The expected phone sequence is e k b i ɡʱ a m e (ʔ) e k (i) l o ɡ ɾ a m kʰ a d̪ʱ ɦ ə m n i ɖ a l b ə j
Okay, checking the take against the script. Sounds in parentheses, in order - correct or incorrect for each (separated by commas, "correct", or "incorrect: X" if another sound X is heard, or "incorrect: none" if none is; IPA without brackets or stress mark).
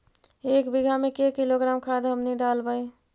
incorrect: k, correct